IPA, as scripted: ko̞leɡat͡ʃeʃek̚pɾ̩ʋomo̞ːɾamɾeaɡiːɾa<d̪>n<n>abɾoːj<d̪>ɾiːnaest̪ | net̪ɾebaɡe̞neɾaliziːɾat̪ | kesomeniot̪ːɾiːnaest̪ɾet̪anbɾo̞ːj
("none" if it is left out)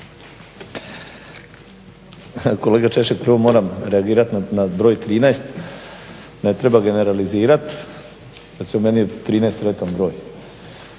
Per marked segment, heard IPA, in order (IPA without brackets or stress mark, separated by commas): t̪, n, t̪